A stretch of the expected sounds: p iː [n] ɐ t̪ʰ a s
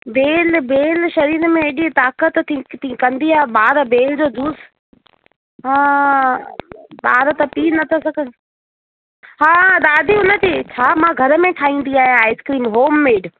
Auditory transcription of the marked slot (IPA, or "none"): n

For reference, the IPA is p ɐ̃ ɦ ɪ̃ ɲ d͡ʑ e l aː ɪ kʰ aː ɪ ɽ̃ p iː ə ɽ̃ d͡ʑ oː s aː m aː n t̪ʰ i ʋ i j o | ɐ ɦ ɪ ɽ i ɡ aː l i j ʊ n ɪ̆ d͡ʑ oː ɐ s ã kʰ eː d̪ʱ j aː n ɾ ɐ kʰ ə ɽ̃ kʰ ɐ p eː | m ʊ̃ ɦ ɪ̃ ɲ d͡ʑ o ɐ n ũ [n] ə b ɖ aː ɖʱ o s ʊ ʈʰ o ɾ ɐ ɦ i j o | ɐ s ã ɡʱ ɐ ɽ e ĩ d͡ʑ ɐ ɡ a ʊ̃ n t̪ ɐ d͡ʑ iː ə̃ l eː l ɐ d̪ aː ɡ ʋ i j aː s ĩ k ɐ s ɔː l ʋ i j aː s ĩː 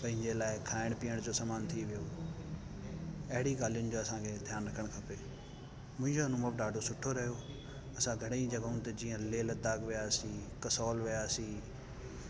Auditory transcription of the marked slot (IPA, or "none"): m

